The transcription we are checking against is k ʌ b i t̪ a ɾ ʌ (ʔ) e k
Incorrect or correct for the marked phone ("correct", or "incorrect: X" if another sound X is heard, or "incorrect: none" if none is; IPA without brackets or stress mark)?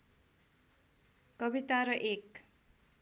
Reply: correct